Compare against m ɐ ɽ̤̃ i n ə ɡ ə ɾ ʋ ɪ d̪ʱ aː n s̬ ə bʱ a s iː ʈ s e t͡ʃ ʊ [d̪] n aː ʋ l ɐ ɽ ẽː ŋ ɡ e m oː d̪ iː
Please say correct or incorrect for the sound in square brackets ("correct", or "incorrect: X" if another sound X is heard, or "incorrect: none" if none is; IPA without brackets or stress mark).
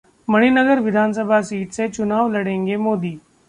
incorrect: none